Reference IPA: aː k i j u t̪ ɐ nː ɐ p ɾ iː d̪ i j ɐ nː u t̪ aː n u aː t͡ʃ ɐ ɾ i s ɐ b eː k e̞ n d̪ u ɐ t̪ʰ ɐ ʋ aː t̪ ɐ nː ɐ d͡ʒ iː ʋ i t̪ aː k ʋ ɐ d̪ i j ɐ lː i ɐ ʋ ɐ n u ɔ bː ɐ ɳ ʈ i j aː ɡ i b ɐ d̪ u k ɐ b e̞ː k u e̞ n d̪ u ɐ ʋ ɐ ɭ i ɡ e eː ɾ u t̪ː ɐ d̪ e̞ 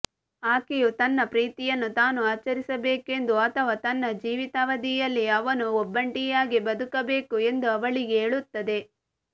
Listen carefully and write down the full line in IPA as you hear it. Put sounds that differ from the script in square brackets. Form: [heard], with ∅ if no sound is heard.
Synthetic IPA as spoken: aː k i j u t̪ ɐ nː ɐ p ɾ iː [t̪] i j ɐ nː u t̪ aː n u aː t͡ʃ ɐ ɾ i s ɐ b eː k e̞ n d̪ u ɐ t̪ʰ ɐ ʋ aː t̪ ɐ nː ɐ d͡ʒ iː ʋ i t̪ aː [∅] ʋ ɐ d̪ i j ɐ lː i ɐ ʋ ɐ n u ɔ bː ɐ ɳ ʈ i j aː ɡ i b ɐ d̪ u k ɐ b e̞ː k u e̞ n d̪ u ɐ ʋ ɐ ɭ i ɡ e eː [ɭ] u t̪ː ɐ d̪ e̞

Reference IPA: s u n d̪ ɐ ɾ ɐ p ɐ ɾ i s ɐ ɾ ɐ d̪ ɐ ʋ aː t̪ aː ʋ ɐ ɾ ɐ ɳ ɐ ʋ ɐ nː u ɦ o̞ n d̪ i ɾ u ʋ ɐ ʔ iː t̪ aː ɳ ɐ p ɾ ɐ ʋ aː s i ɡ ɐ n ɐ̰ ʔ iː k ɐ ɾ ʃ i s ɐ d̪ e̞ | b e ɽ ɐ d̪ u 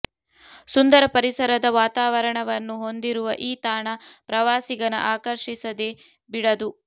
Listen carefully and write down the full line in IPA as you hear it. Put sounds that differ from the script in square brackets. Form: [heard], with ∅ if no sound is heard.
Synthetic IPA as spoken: s u n d̪ ɐ ɾ ɐ p ɐ ɾ i s ɐ ɾ ɐ d̪ ɐ ʋ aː t̪ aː ʋ ɐ ɾ ɐ ɳ ɐ ʋ ɐ nː u ɦ o̞ n d̪ i ɾ u ʋ ɐ ʔ iː t̪ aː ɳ ɐ p ɾ ɐ ʋ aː s i ɡ ɐ n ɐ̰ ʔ [aː] k ɐ ɾ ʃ i s ɐ d̪ e̞ | b [i] ɽ ɐ d̪ u

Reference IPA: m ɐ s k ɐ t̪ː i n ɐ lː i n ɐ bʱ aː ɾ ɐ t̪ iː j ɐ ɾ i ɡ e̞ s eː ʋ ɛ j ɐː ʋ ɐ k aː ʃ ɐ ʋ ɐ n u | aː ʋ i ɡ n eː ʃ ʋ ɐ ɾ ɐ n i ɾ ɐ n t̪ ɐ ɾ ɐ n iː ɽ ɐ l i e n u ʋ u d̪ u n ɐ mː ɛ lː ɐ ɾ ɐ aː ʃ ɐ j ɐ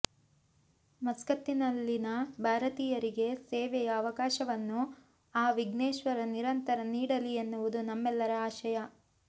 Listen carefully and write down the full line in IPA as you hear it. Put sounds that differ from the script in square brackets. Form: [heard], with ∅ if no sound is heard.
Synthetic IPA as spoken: m ɐ s k ɐ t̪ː i n ɐ lː i n ɐ bʱ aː ɾ ɐ t̪ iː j ɐ ɾ i ɡ e̞ s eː ʋ ɛ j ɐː ʋ ɐ k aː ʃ ɐ ʋ ɐ [nː] u | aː ʋ i ɡ n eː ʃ ʋ ɐ ɾ ɐ n i ɾ ɐ n t̪ ɐ ɾ ɐ n iː ɽ ɐ l i e [nː] u ʋ u d̪ u n ɐ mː ɛ lː ɐ ɾ ɐ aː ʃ ɐ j ɐ

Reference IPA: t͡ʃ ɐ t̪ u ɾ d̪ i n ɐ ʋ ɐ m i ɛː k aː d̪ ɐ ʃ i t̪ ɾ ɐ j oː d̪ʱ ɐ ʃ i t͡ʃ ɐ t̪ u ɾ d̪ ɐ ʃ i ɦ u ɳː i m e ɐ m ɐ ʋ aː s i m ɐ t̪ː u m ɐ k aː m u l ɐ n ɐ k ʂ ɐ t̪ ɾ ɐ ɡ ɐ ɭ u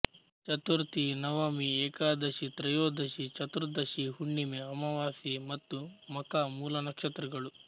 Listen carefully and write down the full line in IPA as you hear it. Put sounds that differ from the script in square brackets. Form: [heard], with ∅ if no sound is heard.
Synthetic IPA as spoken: t͡ʃ ɐ t̪ u ɾ [t̪] i n ɐ ʋ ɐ m i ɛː k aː d̪ ɐ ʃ i t̪ ɾ ɐ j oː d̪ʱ ɐ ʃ i t͡ʃ ɐ t̪ u ɾ d̪ ɐ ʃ i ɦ u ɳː i m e ɐ m ɐ ʋ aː s i m ɐ t̪ː u m ɐ k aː m [uː] l ɐ n ɐ k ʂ ɐ t̪ ɾ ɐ ɡ ɐ ɭ u

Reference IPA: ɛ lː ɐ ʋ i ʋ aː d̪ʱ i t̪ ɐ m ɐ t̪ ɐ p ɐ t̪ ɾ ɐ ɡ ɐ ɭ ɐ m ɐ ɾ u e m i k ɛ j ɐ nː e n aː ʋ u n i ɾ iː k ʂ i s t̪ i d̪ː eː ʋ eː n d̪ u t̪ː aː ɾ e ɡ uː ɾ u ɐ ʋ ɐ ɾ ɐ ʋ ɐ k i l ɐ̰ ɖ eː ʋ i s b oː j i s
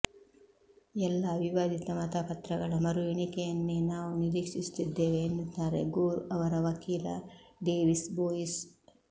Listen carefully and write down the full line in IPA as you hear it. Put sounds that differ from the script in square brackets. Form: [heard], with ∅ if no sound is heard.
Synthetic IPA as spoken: ɛ lː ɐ ʋ i ʋ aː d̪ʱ i t̪ ɐ m ɐ t̪ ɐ p ɐ t̪ ɾ ɐ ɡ ɐ ɭ ɐ m ɐ ɾ u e [ɳ] i k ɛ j ɐ nː e n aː ʋ u n i ɾ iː k ʂ i s t̪ i d̪ː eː ʋ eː n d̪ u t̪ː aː ɾ e ɡ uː ɾ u ɐ ʋ ɐ ɾ ɐ ʋ ɐ k [iː] l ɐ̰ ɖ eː ʋ i s b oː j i s

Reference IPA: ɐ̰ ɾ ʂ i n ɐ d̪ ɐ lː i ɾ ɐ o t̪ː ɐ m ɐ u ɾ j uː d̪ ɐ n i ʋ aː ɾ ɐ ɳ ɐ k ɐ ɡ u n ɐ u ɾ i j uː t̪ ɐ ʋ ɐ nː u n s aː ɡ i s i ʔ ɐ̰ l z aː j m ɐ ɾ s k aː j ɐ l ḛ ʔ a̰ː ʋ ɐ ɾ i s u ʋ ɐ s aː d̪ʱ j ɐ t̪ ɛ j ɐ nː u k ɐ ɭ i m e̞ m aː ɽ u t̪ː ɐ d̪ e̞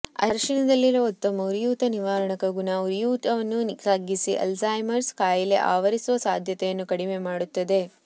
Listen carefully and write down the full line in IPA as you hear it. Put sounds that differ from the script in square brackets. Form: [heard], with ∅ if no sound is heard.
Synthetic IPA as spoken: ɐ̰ ɾ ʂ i n ɐ d̪ ɐ lː i ɾ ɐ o t̪ː ɐ m ɐ u ɾ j uː [t̪] ɐ n i ʋ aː ɾ ɐ ɳ ɐ k ɐ ɡ u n ɐ u ɾ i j uː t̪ ɐ ʋ ɐ nː u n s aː ɡ i s i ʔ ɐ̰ l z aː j m ɐ ɾ s k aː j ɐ l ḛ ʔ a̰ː ʋ ɐ ɾ i s u ʋ ɐ s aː d̪ʱ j ɐ t̪ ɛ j ɐ nː u k ɐ [ɽ] i m e̞ m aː ɽ u t̪ː ɐ d̪ e̞

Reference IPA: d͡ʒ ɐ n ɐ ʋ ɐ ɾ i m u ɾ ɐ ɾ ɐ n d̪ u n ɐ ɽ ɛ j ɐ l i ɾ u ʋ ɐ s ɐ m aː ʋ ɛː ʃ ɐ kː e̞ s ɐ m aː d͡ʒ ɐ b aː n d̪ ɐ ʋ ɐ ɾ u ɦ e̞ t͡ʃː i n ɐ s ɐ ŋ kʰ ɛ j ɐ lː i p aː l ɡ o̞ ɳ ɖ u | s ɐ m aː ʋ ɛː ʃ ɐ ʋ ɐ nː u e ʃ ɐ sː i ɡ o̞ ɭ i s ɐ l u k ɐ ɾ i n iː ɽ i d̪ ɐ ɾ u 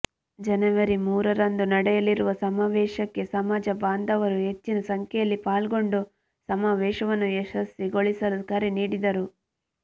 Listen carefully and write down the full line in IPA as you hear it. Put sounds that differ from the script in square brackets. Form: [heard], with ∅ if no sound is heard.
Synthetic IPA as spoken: d͡ʒ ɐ n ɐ ʋ ɐ ɾ i m [uː] ɾ ɐ ɾ ɐ n d̪ u n ɐ ɽ ɛ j ɐ l i ɾ u ʋ ɐ s ɐ m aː ʋ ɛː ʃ ɐ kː e̞ s ɐ m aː d͡ʒ ɐ b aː n d̪ ɐ ʋ ɐ ɾ u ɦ e̞ t͡ʃː i n ɐ s ɐ ŋ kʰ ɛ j ɐ lː i p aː l ɡ o̞ ɳ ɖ u | s ɐ m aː ʋ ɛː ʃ ɐ ʋ ɐ nː u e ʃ ɐ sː i ɡ o̞ ɭ i s ɐ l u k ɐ ɾ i n iː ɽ i d̪ ɐ ɾ u

